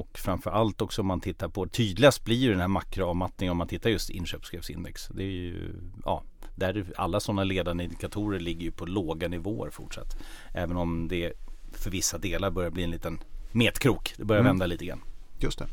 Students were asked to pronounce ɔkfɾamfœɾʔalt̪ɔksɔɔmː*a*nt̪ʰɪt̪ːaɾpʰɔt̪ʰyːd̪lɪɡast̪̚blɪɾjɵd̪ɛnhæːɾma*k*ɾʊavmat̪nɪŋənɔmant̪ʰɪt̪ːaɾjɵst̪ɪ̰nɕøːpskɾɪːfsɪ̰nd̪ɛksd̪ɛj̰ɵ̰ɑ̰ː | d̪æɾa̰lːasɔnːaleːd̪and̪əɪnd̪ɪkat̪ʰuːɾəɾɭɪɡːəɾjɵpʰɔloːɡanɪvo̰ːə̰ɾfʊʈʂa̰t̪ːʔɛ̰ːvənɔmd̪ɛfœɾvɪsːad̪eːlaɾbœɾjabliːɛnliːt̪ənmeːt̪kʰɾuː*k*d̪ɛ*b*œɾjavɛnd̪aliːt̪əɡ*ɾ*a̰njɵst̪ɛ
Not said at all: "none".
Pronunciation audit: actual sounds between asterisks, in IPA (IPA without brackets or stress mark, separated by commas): a, k, k, b, ɾ